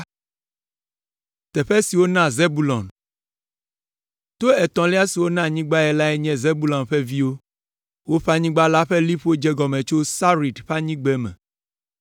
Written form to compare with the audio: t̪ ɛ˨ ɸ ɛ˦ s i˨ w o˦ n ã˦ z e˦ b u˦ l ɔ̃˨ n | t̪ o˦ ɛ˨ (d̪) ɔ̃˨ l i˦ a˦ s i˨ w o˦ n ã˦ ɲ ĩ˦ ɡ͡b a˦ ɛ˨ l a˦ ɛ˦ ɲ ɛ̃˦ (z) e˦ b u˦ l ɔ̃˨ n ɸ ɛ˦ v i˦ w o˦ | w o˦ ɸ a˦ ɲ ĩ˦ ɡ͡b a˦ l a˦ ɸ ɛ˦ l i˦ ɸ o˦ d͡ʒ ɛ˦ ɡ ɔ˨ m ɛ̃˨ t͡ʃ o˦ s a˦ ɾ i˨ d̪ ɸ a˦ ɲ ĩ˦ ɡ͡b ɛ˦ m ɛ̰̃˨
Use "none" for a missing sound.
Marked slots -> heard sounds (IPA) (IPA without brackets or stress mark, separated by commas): t̪, z